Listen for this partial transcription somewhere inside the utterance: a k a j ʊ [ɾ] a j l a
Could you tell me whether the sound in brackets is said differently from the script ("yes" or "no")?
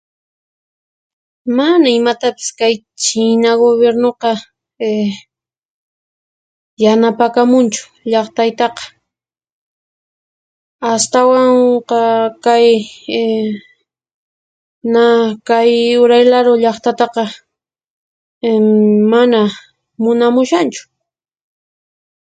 no